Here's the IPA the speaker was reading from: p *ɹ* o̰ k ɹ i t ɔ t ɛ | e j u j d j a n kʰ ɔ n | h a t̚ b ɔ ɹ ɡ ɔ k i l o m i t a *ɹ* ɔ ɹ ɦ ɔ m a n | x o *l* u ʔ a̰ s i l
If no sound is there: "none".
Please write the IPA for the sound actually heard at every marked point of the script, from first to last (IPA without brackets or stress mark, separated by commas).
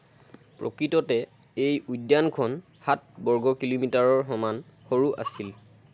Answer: ɹ, ɹ, ɹ